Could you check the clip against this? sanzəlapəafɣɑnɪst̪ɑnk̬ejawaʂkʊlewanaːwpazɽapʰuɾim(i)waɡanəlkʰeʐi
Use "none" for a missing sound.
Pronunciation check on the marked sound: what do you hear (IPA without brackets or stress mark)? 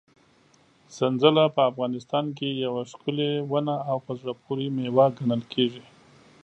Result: e